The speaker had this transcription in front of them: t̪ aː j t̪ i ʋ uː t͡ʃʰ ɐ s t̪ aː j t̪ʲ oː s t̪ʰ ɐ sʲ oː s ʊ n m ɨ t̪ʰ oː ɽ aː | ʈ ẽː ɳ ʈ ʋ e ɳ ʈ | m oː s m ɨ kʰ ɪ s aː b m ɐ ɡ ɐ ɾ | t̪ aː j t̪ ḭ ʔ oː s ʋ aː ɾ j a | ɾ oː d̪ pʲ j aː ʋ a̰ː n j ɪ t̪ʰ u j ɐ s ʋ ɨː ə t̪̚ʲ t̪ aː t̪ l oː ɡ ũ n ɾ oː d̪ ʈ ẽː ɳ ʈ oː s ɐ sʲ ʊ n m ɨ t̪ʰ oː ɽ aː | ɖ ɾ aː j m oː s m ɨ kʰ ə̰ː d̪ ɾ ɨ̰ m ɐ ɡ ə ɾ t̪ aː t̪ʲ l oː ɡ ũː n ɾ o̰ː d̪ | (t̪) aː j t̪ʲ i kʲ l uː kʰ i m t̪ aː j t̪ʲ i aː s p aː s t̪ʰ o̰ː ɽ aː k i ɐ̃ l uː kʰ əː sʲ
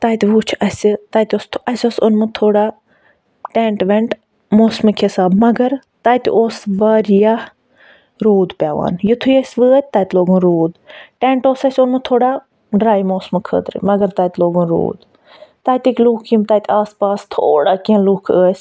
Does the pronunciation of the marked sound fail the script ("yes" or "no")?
no